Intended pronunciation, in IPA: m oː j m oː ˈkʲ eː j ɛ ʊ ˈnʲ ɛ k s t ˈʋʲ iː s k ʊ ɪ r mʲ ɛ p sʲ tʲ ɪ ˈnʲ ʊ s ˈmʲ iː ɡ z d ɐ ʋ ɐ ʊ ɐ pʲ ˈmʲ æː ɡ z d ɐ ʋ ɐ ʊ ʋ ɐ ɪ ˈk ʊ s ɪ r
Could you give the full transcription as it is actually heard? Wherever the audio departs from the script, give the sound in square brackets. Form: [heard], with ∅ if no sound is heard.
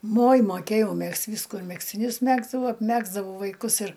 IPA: m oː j m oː ˈkʲ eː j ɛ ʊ [ˈmʲ] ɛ k s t ˈʋʲ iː s k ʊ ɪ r mʲ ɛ [k] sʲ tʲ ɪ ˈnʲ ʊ s ˈmʲ [æː] ɡ z d ɐ ʋ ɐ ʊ ɐ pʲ ˈmʲ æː ɡ z d ɐ ʋ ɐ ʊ ʋ ɐ ɪ ˈk ʊ s ɪ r